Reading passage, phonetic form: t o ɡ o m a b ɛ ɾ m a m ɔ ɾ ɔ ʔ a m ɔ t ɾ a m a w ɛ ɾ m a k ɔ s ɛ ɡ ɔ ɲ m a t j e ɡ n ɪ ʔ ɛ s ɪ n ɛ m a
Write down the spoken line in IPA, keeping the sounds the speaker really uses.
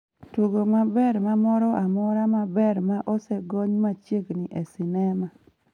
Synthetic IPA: t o ɡ o m a b ɛ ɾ m a m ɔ ɾ ɔ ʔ a m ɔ ɾ a m a b ɛ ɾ m a ʔ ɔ s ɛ ɡ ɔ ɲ m a t͡ʃ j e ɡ n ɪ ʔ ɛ s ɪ n ɛ m a